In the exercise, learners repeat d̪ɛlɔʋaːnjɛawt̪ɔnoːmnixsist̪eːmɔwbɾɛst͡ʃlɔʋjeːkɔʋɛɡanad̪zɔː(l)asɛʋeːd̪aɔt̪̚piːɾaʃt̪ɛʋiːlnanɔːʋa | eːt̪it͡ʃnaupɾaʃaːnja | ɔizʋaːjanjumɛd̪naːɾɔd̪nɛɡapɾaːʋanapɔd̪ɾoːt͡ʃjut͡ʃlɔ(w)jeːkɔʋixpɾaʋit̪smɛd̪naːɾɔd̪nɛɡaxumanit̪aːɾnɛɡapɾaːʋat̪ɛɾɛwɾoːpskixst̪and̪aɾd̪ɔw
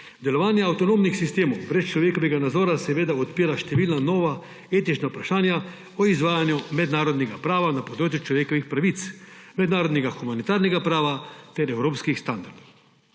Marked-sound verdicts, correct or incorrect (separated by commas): incorrect, incorrect